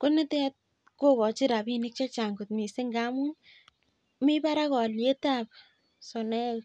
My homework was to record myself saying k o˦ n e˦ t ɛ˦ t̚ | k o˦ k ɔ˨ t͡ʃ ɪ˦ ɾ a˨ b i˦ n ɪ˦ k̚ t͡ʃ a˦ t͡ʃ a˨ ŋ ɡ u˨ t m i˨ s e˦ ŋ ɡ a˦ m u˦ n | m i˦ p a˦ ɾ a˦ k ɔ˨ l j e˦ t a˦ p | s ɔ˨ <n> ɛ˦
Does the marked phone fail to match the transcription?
no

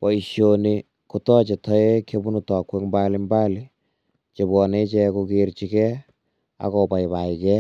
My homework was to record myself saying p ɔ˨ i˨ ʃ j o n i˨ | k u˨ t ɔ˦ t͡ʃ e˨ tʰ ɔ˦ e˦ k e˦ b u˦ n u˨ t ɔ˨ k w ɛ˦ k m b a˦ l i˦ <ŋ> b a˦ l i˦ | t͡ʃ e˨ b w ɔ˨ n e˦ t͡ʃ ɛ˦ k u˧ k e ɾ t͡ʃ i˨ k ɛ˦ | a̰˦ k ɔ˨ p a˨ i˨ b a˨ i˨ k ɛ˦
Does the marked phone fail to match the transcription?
yes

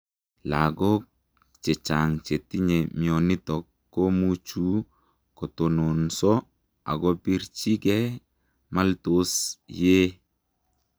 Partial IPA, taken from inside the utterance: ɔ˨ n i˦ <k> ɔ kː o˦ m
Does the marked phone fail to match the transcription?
yes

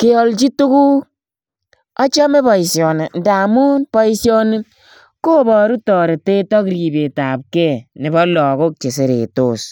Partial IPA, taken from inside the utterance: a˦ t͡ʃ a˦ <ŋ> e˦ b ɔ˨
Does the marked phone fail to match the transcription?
yes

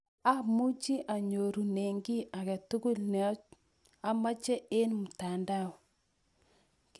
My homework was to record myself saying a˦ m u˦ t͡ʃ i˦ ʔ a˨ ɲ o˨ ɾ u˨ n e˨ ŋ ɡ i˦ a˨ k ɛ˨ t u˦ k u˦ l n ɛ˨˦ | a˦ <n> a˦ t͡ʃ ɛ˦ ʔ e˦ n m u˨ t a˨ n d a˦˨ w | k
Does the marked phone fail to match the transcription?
yes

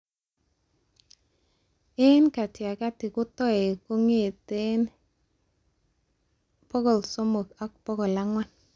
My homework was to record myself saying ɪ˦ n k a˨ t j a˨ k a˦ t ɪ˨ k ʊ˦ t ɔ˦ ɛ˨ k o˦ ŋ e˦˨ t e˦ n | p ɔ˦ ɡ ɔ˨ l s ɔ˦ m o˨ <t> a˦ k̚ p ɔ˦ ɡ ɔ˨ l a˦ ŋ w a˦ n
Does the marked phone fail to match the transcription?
yes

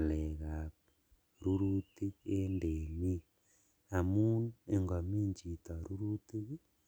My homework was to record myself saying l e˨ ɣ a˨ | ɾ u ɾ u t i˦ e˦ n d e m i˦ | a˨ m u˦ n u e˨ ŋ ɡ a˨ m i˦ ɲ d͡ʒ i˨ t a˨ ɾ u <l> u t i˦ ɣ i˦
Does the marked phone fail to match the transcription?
yes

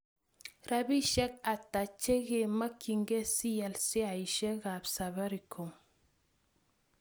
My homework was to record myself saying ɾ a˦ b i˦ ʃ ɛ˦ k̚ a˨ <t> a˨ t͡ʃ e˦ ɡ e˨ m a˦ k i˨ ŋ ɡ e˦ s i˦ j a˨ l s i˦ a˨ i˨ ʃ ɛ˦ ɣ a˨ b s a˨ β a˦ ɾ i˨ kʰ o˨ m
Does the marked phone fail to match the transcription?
no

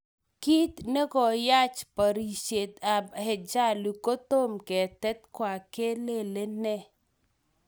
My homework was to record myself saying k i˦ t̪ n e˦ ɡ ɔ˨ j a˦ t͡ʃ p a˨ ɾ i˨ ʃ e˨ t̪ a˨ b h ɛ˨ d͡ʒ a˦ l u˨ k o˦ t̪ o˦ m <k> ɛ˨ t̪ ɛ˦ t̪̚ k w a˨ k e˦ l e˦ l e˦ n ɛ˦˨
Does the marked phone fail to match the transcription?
no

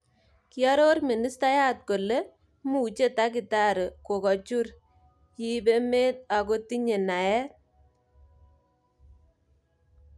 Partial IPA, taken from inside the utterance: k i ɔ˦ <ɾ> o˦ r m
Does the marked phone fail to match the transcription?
no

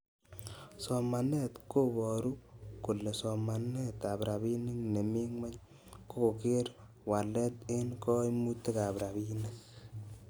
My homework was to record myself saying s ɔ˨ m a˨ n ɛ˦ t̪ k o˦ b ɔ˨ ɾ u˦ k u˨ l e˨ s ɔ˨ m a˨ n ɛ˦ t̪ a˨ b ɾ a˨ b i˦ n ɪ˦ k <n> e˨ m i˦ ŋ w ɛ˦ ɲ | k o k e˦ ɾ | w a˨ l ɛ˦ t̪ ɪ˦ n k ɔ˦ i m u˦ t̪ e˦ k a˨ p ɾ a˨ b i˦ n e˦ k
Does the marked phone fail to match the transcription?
no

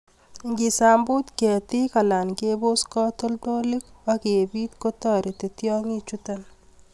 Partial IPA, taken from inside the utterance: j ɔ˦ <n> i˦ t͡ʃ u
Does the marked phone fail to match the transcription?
yes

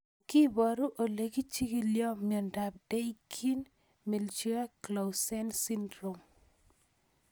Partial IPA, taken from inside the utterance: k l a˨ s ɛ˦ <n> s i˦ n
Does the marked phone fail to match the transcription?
no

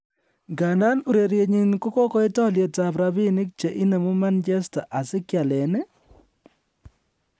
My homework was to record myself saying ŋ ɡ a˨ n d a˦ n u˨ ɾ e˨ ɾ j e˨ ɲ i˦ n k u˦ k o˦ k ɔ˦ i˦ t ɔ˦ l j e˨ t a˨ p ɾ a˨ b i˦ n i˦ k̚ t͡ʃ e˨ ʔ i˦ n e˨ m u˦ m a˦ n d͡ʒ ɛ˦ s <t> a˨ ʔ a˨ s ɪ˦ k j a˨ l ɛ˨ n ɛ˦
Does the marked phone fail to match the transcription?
no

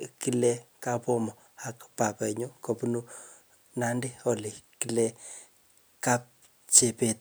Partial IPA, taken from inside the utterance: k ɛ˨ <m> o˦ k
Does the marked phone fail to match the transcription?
yes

